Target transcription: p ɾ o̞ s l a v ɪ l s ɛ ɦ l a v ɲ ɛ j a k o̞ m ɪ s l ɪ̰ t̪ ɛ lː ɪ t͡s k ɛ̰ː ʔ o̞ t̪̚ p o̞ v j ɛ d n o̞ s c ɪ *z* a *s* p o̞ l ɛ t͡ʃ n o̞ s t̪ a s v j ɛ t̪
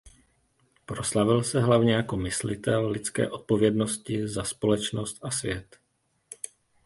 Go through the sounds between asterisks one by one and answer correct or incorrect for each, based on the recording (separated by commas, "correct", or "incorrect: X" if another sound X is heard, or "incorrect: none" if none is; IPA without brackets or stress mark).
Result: correct, correct